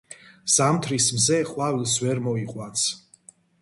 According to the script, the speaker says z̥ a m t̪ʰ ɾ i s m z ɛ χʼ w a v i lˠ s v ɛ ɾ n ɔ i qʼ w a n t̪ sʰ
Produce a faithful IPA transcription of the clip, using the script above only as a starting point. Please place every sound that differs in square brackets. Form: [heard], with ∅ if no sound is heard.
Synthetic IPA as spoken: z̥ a m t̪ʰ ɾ i s m z ɛ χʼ w a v i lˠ s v ɛ ɾ [m] ɔ i qʼ w a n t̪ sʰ

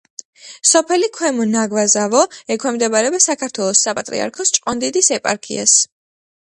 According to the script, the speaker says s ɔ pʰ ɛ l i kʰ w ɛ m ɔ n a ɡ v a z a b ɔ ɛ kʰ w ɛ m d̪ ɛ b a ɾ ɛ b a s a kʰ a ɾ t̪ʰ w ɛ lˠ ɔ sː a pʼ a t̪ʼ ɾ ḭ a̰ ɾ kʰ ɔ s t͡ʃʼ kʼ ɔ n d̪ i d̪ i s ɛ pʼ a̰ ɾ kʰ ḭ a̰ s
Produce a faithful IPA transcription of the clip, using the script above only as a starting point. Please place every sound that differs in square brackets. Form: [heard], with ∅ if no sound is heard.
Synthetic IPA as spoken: s ɔ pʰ ɛ l i kʰ w ɛ m ɔ n a ɡ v a z a [v] ɔ ɛ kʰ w ɛ m d̪ ɛ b a ɾ ɛ b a s a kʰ a ɾ t̪ʰ w ɛ lˠ ɔ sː a pʼ a t̪ʼ ɾ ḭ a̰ ɾ kʰ ɔ s t͡ʃʼ [qʼ] ɔ n d̪ i d̪ i s ɛ pʼ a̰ ɾ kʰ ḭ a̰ s

